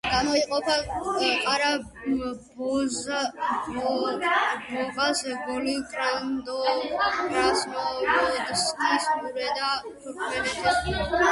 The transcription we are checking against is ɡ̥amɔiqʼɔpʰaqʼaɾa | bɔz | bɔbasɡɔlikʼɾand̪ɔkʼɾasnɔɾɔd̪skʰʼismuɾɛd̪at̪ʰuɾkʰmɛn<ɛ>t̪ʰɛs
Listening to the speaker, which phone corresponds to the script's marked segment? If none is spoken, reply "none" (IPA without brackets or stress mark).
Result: ɛ